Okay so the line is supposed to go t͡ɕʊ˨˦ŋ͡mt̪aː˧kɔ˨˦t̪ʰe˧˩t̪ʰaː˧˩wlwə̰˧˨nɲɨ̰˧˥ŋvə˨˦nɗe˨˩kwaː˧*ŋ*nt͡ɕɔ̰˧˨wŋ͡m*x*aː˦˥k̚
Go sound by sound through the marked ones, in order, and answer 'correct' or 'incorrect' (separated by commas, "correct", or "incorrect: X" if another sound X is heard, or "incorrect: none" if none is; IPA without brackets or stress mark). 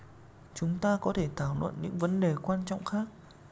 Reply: incorrect: none, correct